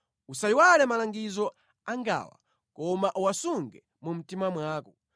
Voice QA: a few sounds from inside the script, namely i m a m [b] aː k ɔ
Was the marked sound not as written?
yes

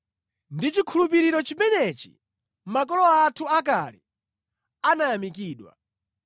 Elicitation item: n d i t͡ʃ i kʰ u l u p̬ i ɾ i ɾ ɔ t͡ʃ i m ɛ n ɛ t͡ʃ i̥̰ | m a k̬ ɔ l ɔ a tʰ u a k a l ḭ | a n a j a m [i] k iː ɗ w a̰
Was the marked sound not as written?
no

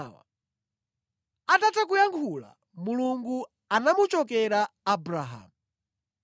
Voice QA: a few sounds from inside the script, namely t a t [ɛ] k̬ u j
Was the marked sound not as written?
yes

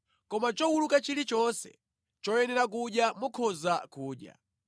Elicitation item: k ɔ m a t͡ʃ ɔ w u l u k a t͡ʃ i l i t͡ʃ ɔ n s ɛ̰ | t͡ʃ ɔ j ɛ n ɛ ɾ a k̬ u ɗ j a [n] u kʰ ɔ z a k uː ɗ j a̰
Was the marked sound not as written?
yes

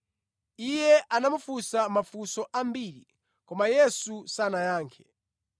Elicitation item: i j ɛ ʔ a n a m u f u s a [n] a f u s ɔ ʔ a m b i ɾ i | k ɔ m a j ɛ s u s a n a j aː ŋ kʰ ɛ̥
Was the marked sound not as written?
yes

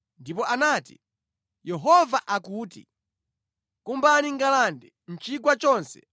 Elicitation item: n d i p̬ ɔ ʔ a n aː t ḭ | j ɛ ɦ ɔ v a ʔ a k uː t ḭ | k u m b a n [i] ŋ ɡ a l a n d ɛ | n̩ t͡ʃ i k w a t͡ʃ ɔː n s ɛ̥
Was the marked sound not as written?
no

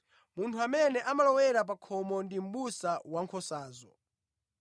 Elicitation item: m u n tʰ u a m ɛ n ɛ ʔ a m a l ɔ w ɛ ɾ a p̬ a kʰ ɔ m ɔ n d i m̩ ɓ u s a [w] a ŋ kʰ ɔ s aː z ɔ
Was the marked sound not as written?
no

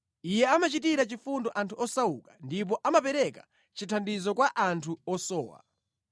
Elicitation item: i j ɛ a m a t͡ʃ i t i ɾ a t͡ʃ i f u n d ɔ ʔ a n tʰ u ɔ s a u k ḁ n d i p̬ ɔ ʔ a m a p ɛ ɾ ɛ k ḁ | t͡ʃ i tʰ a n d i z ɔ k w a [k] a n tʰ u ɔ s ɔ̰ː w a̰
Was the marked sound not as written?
yes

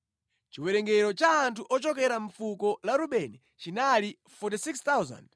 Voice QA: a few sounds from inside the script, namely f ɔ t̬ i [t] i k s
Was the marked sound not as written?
yes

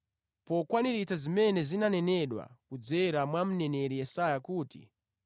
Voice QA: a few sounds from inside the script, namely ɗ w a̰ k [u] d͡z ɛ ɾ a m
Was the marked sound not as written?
no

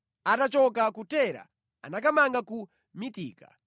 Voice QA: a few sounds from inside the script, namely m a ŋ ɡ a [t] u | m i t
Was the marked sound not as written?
yes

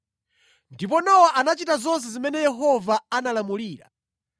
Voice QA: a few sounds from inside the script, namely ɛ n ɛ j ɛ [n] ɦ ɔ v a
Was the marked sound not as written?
yes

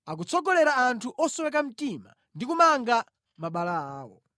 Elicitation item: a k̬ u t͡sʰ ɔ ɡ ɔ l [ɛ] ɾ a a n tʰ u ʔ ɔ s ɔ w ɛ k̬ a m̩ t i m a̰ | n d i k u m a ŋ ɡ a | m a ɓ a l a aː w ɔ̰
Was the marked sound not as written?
no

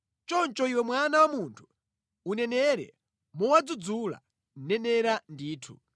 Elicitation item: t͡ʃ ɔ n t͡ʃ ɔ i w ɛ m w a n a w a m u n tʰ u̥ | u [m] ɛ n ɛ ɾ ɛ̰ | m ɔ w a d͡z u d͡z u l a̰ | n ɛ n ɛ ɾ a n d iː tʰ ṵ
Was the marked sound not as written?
yes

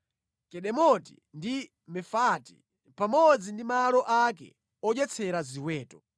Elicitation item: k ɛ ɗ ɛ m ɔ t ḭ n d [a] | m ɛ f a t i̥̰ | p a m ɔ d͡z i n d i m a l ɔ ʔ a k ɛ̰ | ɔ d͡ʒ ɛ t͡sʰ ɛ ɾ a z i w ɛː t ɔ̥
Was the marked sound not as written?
yes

